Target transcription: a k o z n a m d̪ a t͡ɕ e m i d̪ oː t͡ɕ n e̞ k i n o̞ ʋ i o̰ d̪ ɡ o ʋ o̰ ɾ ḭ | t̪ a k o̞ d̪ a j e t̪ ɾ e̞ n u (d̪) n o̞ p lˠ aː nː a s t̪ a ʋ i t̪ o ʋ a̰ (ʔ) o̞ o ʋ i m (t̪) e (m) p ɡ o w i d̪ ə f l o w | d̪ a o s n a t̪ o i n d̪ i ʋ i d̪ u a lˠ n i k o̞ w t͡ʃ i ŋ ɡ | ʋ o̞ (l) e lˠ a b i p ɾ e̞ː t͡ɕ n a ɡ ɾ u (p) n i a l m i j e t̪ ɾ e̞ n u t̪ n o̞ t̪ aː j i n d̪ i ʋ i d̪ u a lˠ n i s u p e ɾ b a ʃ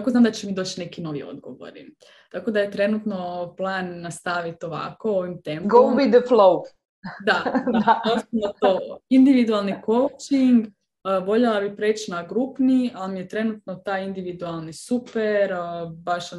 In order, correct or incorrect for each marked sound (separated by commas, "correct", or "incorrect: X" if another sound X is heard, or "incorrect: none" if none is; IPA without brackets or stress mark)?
incorrect: t̪, incorrect: k, correct, correct, incorrect: ʎ, correct